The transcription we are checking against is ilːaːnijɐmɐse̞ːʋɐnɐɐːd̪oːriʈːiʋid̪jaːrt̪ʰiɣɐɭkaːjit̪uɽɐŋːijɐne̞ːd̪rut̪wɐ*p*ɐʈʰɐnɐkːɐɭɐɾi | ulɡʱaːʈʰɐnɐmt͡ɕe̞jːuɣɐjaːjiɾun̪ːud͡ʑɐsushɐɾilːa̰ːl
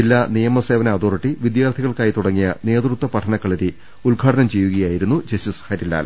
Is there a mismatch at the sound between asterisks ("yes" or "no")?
no